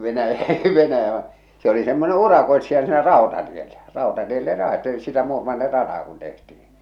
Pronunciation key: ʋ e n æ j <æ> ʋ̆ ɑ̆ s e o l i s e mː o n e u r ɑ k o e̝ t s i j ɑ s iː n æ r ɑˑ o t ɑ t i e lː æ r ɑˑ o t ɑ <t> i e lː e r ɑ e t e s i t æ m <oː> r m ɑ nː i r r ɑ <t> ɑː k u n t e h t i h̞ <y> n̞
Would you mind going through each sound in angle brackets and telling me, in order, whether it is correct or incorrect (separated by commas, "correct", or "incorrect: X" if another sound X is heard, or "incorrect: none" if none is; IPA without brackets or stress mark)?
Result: correct, correct, incorrect: uː, correct, incorrect: i